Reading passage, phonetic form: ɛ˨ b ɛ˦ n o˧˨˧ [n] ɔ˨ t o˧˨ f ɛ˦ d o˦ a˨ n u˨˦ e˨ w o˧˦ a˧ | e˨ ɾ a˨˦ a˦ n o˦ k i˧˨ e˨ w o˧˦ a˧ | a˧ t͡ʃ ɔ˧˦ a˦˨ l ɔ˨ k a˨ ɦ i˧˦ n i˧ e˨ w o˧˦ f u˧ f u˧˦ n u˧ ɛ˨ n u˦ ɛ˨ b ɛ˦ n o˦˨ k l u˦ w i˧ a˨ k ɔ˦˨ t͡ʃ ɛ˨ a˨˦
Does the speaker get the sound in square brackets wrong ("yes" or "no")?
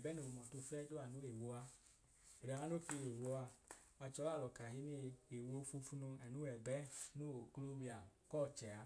yes